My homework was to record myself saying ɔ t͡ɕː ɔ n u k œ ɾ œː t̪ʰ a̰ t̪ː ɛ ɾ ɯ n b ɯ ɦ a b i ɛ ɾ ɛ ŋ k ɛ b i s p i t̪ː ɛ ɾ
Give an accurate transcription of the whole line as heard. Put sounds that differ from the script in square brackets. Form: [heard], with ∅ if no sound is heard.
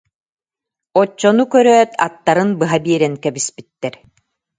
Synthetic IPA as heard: ɔ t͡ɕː ɔ n u k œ ɾ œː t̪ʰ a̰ t̪ː [a] ɾ ɯ n b ɯ ɦ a b i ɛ ɾ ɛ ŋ k ɛ b i s p i t̪ː ɛ ɾ